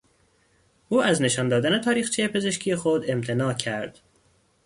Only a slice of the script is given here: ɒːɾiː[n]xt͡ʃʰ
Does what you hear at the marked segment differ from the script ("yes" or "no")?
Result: yes